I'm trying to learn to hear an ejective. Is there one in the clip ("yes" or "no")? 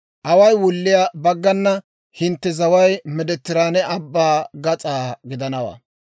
yes